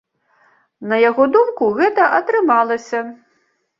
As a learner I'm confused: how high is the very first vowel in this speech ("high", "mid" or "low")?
low